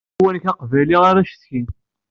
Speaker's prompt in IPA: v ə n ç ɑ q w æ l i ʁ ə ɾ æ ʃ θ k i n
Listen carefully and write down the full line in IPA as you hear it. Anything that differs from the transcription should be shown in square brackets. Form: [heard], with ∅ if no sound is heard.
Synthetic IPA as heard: [w] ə n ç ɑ q [v] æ l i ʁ [a] ɾ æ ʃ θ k i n